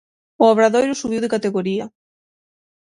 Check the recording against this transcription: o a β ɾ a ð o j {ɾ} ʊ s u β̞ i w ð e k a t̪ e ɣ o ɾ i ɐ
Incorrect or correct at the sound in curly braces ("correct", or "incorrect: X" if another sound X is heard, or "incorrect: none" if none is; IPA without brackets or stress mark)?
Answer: correct